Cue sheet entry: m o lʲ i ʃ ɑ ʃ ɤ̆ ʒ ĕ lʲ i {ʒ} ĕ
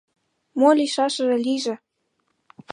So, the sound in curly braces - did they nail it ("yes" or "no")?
yes